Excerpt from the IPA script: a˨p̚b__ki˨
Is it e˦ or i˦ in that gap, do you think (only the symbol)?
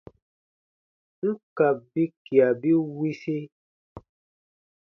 i˦